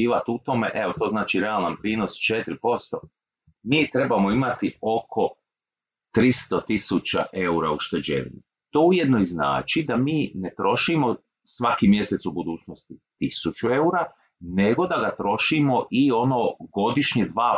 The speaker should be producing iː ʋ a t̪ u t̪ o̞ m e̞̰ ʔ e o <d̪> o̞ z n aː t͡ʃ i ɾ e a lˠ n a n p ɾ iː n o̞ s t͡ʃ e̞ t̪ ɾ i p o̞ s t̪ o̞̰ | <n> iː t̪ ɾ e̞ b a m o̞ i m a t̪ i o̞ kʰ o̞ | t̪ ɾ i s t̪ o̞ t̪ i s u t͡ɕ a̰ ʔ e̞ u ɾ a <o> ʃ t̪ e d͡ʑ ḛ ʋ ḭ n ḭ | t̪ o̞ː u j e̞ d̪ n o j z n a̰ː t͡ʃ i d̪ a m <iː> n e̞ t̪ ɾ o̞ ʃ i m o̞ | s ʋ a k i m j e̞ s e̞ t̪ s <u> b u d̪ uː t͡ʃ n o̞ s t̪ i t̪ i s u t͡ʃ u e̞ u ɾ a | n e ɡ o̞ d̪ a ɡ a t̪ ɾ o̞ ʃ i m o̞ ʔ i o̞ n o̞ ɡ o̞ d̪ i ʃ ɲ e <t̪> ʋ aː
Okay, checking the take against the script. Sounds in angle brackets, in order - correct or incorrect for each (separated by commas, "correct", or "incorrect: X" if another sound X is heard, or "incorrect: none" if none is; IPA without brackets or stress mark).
incorrect: t̪, incorrect: m, incorrect: u, correct, correct, incorrect: d̪